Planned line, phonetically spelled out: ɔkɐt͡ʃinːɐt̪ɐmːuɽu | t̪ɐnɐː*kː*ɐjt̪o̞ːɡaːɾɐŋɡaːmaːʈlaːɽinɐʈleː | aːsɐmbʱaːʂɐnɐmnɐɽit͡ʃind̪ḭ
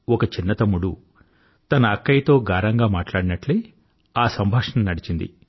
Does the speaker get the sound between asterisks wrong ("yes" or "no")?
no